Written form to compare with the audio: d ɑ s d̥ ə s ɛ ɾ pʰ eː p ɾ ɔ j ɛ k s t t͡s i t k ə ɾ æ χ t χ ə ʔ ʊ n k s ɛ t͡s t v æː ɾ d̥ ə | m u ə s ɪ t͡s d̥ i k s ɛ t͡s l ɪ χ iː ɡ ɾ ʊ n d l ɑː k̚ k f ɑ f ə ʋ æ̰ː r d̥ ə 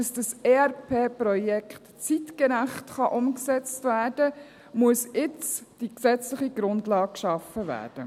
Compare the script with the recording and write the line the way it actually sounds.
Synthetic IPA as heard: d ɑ s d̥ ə s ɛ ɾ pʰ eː p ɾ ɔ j ɛ k χ t t͡s i t k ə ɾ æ χ t χ ɑ ʔ ʊ m k s ɛ t͡s t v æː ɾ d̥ ə | m u ə s ɪ t͡s d̥ i k s ɛ t͡s l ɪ χ i ɡ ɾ ʊ n d l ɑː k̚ k ʃ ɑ f ə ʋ æ̰ː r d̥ ə